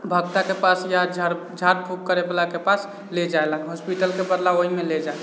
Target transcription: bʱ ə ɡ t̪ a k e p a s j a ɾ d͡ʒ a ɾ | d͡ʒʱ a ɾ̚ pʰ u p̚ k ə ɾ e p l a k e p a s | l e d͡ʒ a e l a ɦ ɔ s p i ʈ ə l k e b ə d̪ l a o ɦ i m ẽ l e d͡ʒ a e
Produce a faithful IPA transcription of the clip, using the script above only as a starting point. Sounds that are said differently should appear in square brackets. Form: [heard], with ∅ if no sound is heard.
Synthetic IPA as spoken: bʱ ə ɡ t̪ a k e p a s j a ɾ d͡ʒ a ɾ | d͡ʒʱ a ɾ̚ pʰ u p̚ k ə ɾ e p l a k e p a s | l e d͡ʒ a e l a ɦ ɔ s p i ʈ ə l k e b ə d̪ l a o ɦ i m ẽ l e d͡ʒ a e